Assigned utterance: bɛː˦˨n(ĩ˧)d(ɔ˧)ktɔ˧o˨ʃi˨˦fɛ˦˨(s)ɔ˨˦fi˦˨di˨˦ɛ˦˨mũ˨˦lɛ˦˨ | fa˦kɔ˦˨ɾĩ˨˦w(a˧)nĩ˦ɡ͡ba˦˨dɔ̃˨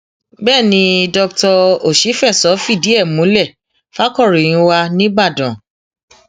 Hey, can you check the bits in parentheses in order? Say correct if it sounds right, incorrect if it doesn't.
correct, correct, correct, correct

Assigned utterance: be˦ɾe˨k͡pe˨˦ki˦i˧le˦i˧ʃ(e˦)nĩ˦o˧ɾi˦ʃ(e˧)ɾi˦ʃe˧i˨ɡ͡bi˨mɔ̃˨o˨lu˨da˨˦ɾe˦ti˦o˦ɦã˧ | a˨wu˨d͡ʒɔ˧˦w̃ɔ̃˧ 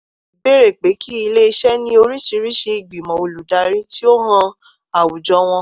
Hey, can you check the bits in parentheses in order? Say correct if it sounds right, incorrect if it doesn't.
incorrect: ɛ˦, incorrect: i˧

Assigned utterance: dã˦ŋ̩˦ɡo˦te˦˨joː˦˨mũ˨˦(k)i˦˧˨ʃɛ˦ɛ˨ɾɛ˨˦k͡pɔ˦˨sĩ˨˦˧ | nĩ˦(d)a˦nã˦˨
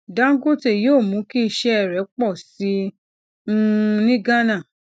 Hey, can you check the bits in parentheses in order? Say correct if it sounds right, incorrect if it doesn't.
correct, incorrect: ɡ

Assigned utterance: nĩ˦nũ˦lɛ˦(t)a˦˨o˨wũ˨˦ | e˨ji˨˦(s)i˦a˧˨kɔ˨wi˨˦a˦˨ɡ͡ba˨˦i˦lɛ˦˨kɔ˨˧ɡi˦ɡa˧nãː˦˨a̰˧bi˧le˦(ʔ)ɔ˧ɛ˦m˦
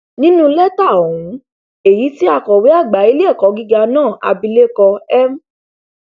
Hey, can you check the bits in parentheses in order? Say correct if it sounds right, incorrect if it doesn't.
correct, incorrect: t, incorrect: k

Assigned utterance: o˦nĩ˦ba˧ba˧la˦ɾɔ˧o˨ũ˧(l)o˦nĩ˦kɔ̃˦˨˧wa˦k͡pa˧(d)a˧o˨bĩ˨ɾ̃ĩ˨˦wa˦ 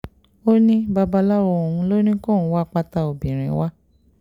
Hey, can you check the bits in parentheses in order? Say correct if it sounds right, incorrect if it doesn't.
correct, incorrect: t

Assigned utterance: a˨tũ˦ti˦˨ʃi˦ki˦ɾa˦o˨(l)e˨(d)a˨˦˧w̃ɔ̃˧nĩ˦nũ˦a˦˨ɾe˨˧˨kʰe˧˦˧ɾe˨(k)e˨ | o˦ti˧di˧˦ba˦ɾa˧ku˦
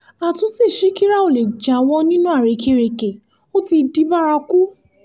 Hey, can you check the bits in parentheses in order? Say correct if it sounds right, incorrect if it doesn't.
correct, incorrect: d͡ʒ, correct

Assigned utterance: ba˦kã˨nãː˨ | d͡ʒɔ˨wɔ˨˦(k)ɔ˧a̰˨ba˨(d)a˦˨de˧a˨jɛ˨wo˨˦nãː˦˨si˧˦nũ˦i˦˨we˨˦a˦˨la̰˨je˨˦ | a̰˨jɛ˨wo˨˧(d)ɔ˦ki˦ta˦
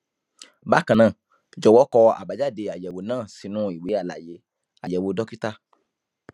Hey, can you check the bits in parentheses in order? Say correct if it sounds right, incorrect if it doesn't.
correct, incorrect: d͡ʒ, correct

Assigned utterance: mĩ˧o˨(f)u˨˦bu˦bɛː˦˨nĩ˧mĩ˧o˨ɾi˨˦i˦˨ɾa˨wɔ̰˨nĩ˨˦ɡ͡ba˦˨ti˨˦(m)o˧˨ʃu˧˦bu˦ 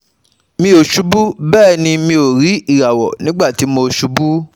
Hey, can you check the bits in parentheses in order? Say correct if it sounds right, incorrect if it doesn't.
incorrect: ʃ, correct

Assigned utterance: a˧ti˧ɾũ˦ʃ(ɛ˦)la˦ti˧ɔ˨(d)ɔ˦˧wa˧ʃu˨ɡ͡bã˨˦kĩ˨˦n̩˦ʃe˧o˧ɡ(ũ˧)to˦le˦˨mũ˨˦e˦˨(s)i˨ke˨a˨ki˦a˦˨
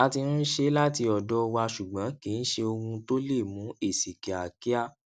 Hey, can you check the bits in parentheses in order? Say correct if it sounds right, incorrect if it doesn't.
incorrect: e˦, correct, correct, correct

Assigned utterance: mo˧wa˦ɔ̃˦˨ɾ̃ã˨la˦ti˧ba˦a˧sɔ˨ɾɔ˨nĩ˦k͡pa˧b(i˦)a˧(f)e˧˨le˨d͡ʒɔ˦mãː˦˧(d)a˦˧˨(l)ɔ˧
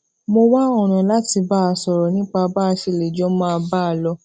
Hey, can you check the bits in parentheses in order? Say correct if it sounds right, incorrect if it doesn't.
incorrect: a˦, incorrect: ʃ, incorrect: b, correct

